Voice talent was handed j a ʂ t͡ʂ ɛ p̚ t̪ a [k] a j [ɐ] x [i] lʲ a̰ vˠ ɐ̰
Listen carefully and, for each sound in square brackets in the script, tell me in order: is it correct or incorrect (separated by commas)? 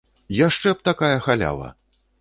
correct, correct, incorrect